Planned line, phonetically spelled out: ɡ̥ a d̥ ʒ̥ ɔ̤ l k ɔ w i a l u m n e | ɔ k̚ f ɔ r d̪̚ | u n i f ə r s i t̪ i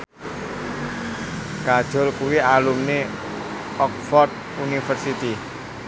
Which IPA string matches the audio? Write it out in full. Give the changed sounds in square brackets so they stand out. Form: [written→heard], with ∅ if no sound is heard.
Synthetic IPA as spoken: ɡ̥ a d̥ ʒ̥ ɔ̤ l k [ɔ→u] w i a l u m n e | ɔ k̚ f ɔ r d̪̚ | u n i f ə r s i t̪ i